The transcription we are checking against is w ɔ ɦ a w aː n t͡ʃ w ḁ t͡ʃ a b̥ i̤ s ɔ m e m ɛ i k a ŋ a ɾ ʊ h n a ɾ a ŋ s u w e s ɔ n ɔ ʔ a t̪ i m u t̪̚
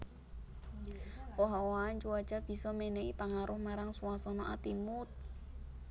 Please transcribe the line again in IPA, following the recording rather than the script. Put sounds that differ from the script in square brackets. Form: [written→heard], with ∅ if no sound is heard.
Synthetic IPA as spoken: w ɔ ɦ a w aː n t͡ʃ [w→u] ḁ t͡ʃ a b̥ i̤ s ɔ m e [m→n] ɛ i [k→p] a ŋ a ɾ ʊ h [n→m] a ɾ a ŋ s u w [e→a] s ɔ n ɔ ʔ a t̪ i m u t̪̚